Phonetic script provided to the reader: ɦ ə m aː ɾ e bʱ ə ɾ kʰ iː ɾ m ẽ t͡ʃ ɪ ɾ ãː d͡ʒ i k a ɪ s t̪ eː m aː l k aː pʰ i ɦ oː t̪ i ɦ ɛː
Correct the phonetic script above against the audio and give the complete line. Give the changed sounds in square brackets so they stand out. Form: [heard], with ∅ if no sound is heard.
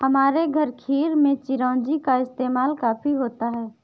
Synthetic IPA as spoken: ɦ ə m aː ɾ e [ɡʱ] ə ɾ kʰ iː ɾ m ẽ t͡ʃ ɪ ɾ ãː d͡ʒ i k a ɪ s t̪ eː m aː l k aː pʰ i ɦ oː t̪ [a] ɦ ɛː